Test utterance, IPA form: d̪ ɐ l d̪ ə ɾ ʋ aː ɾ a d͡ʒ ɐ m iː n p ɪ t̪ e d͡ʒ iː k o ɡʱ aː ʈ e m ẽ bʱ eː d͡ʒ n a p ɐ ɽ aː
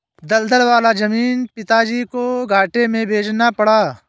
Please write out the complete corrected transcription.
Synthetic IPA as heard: d̪ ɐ l d̪ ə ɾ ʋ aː l a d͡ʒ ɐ m iː n p ɪ t̪ a d͡ʒ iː k o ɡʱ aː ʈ e m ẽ bʱ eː d͡ʒ n a p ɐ ɽ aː